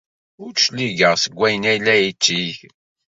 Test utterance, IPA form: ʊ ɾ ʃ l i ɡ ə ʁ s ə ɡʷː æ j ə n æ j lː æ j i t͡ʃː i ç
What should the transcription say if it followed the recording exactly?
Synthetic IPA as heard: ʊ ɾ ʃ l i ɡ ə ʁ s ə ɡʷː æ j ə n æ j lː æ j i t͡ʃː i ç